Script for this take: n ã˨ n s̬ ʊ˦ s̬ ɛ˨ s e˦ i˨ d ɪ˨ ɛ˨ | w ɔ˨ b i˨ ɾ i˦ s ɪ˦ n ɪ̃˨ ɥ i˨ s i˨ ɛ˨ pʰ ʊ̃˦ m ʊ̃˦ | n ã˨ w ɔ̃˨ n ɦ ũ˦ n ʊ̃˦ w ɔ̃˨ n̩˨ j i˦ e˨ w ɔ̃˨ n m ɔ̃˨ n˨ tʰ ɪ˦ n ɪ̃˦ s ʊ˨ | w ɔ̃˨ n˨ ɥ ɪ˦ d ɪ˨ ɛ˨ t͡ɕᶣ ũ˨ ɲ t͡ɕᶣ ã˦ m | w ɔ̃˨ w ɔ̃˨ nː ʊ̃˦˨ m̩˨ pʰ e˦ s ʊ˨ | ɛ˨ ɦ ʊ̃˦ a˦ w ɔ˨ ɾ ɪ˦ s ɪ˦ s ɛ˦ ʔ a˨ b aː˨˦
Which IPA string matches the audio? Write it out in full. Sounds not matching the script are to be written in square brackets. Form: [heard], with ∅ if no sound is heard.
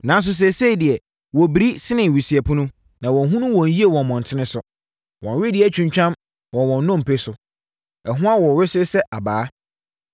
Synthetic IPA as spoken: n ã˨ n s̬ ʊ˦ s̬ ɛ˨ s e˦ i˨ d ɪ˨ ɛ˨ | w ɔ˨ b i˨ ɾ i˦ s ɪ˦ n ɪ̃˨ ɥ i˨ s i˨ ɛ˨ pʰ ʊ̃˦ [n] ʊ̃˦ | n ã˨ w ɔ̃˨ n ɦ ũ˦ n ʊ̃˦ w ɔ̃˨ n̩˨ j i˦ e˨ w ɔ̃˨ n m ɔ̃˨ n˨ tʰ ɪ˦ n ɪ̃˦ s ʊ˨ | w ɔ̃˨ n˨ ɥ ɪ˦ d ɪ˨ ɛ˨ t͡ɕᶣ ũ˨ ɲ t͡ɕᶣ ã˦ m | w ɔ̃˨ w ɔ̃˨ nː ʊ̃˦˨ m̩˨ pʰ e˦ s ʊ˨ | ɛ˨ ɦ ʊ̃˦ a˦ w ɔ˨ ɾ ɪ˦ s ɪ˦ s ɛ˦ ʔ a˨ b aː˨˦

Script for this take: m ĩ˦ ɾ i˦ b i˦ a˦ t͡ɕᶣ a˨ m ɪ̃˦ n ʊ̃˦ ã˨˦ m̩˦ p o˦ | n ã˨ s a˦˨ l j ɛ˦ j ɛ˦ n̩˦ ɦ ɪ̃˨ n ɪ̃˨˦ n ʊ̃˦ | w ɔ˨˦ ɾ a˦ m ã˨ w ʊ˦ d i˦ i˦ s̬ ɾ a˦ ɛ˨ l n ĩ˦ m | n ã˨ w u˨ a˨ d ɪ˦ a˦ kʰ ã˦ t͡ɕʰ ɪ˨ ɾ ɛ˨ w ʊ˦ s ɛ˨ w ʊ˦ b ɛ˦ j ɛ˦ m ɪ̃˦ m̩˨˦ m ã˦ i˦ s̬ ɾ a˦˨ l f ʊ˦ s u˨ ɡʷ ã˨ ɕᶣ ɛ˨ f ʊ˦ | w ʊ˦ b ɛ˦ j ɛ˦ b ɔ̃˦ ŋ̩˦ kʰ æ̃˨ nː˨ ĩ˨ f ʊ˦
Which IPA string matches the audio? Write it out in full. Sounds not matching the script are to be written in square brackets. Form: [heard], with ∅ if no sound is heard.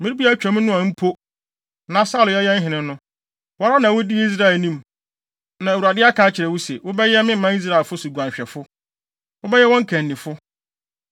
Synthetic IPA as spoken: m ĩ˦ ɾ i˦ b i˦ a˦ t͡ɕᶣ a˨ m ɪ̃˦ n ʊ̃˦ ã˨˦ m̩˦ [pʰ] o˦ | n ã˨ s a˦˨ l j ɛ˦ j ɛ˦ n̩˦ ɦ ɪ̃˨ n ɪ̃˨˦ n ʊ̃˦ | w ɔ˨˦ ɾ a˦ [n] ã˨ w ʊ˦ d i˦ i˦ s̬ ɾ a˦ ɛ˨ l n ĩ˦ m | n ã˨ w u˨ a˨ d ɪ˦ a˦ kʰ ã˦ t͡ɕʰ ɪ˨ ɾ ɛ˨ w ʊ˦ s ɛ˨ w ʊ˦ b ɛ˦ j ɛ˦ m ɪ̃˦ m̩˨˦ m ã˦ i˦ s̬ ɾ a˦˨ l f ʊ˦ s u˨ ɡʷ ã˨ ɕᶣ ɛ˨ f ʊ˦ | w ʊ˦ b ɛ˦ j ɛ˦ [w] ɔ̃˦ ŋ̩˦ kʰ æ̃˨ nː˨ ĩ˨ f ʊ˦

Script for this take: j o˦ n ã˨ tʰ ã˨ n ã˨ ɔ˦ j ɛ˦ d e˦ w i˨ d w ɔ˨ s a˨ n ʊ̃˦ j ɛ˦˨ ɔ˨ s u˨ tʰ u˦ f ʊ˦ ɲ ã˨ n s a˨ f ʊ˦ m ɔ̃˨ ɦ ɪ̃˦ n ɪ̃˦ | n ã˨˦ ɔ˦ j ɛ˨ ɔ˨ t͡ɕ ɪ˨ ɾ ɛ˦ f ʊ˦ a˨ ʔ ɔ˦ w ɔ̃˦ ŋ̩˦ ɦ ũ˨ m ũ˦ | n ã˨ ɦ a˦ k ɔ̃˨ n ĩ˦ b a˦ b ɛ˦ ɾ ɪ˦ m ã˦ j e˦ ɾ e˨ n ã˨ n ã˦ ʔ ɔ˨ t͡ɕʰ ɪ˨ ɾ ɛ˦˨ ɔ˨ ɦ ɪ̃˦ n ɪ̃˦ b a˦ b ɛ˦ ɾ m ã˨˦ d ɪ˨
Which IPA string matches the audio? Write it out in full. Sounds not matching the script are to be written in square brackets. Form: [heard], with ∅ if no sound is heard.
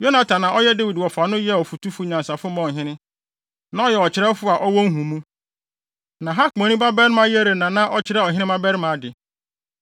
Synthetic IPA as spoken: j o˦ n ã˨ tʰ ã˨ n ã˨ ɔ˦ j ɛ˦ d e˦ w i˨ d w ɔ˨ [f] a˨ n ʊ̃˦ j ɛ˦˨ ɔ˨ [f] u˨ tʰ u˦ f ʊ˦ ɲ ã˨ n s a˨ f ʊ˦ m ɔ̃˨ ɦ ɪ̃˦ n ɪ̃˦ | n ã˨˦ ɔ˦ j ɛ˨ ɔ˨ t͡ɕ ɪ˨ ɾ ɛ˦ f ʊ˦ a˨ ʔ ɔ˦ w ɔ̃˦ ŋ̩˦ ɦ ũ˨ m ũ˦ | n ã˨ ɦ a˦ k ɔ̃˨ n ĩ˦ b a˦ b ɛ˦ ɾ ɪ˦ m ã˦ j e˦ ɾ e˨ n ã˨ n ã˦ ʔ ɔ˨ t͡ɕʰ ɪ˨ ɾ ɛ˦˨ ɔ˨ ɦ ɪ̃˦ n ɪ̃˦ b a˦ b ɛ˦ ɾ m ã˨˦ d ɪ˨

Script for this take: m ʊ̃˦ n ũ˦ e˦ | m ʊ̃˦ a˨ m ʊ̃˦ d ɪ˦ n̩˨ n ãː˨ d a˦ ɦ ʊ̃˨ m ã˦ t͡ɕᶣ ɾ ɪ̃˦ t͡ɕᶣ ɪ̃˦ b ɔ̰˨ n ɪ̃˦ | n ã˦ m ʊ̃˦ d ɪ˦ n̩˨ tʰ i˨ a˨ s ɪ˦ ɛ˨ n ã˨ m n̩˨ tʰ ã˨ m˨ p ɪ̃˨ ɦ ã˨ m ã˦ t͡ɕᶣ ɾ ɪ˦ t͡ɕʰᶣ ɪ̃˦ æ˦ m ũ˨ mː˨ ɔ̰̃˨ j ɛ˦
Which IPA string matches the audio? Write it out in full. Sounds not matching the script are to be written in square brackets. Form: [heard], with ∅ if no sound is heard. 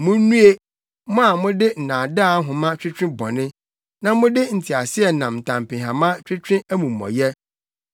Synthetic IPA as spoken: m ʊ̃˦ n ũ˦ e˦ | m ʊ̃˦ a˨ m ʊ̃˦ d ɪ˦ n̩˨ n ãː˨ d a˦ ɦ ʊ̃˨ m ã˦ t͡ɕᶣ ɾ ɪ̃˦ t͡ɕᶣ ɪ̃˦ b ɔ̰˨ n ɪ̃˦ | n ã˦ m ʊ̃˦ d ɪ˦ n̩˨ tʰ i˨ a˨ s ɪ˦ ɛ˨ n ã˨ m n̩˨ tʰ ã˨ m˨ p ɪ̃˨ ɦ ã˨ m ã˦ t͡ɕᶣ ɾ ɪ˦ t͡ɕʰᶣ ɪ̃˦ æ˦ m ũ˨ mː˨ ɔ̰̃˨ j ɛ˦

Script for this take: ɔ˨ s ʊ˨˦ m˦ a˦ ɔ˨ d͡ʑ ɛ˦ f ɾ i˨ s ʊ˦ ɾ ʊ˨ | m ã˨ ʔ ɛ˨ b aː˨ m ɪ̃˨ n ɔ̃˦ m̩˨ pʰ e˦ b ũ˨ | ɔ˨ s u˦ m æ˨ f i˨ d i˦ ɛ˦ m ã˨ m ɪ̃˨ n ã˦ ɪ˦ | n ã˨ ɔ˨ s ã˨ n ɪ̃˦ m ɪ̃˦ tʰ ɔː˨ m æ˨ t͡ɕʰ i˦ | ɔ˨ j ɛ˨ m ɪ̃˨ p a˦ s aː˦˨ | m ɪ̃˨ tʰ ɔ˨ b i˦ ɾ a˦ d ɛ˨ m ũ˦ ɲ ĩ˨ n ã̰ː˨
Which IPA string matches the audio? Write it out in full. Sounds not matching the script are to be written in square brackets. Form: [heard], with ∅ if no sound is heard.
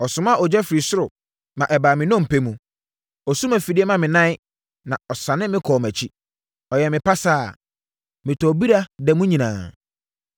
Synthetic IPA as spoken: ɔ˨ s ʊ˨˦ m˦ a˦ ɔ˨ d͡ʑ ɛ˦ f ɾ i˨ s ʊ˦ ɾ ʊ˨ | m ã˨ ʔ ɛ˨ b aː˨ m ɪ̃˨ n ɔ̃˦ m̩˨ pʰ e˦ [m] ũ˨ | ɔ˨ s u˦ m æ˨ f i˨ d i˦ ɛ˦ m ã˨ m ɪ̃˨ n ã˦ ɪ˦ | n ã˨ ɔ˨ s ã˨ n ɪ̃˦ m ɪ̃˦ [kʰ] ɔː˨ m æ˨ t͡ɕʰ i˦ | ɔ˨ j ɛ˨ m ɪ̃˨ p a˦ s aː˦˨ | m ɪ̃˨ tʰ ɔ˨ b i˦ ɾ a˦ d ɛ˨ m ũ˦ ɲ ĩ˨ n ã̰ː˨

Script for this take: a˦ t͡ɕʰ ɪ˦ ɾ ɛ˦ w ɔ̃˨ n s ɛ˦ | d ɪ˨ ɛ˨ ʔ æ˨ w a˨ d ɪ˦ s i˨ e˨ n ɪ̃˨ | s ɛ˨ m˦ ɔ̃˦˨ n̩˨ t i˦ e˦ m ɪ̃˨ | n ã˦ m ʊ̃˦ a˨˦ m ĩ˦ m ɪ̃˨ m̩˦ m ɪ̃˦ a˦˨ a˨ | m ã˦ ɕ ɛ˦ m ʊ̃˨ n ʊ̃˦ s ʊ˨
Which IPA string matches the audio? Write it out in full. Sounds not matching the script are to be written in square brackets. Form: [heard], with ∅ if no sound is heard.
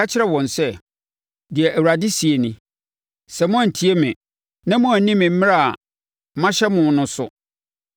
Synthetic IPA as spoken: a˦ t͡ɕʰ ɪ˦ ɾ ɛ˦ w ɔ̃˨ n s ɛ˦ | d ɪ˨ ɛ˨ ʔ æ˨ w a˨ d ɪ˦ s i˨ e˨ n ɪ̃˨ | s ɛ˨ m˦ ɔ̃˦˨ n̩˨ [tʰ] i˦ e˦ m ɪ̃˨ | n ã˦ m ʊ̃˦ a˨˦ [n] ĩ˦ m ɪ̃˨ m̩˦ m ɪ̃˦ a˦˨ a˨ | m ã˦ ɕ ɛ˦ m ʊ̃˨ n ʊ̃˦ s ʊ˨

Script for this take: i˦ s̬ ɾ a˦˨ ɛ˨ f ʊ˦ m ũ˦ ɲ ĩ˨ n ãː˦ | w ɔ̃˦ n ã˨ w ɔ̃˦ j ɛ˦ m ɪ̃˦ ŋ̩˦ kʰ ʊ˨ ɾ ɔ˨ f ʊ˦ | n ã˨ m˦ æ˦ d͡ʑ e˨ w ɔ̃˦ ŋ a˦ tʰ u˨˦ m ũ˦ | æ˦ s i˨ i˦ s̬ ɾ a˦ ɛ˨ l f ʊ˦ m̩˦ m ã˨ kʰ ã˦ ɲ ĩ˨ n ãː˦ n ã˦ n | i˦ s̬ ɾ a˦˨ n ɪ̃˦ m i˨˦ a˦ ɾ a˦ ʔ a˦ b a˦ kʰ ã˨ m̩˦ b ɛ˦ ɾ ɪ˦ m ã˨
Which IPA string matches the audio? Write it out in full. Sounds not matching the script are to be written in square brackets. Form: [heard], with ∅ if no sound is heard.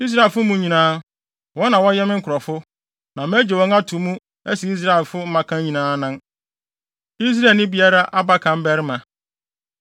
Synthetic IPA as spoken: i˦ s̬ ɾ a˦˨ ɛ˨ f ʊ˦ m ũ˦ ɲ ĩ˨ n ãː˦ | w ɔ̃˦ n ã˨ w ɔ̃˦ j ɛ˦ m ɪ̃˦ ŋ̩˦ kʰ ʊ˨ ɾ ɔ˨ f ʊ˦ | n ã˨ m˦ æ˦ d͡ʑ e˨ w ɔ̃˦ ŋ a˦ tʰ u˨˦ m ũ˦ | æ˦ s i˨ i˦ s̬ ɾ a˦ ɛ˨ l f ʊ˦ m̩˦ m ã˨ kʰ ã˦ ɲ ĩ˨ n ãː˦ n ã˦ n | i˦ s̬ ɾ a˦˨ n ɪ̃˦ [b] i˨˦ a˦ ɾ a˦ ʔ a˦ b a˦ kʰ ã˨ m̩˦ b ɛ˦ ɾ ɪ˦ m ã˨

